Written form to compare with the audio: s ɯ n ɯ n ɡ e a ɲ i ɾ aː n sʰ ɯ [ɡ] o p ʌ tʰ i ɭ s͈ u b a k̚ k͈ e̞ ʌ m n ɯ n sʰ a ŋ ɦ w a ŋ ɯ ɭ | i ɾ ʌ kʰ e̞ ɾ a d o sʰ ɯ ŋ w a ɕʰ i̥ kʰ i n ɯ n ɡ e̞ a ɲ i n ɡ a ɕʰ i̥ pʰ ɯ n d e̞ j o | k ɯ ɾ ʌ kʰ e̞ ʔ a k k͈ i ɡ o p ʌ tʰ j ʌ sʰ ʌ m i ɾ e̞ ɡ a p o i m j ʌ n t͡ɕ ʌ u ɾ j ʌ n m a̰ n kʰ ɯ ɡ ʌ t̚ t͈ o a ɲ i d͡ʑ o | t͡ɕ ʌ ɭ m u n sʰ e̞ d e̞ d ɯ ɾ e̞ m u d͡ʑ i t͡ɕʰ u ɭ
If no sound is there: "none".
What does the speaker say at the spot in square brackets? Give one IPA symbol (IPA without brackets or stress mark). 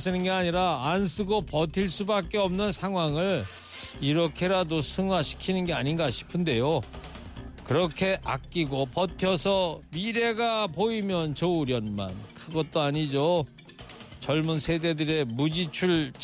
ɡ